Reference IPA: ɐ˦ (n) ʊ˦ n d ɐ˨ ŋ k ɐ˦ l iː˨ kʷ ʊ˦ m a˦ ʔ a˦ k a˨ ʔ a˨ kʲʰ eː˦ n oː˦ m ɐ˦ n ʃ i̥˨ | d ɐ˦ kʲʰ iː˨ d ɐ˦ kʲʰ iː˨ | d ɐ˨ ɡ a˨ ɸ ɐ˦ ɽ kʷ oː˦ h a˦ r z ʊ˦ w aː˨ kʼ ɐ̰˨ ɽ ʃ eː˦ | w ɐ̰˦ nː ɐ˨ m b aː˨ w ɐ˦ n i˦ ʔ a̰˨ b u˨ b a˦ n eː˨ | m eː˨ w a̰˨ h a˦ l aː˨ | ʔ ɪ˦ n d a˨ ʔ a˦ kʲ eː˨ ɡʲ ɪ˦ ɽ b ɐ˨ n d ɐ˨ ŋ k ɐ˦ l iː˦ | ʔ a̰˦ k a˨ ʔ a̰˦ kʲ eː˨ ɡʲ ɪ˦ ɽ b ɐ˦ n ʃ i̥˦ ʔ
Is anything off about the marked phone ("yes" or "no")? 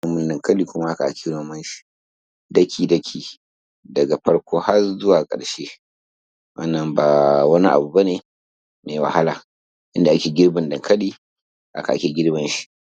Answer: yes